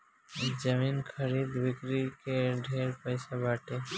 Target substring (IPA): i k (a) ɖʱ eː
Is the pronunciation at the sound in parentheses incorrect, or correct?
incorrect